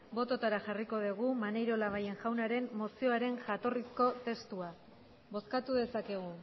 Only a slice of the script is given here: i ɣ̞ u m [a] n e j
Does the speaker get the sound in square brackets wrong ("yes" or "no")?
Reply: no